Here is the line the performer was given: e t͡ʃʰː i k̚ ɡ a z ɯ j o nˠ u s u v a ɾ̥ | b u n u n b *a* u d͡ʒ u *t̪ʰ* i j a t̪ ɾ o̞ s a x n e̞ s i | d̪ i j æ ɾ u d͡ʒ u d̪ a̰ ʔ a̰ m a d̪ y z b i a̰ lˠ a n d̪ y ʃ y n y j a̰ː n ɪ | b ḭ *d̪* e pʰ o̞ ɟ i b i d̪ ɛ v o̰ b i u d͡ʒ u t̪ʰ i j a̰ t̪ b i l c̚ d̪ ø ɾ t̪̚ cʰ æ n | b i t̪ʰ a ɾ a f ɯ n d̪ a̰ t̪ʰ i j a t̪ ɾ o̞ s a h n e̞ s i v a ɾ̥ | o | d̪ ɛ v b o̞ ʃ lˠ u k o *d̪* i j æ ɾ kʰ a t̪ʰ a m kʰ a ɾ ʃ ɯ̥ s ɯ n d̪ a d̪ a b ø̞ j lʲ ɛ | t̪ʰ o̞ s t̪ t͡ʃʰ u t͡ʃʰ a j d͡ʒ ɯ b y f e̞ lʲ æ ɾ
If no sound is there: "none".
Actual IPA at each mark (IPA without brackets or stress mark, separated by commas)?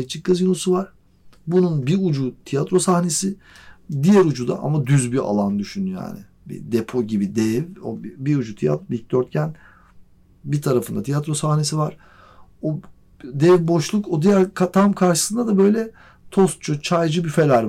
i, t̪ʰ, d̪, d̪